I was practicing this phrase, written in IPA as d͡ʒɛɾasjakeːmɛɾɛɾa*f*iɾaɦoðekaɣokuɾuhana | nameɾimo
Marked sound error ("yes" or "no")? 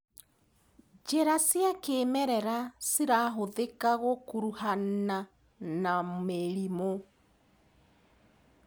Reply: yes